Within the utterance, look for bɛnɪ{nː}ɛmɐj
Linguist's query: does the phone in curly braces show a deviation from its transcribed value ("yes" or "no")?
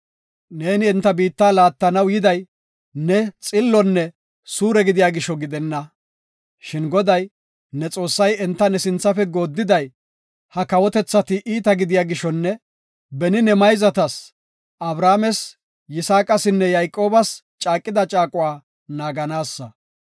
yes